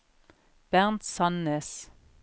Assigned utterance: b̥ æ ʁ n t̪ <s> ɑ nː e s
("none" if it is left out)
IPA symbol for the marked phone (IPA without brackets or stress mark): s